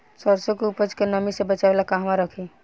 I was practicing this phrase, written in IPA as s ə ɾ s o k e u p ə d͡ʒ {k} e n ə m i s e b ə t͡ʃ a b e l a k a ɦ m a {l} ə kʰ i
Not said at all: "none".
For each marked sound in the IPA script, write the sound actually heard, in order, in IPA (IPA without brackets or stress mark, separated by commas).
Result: k, ɾ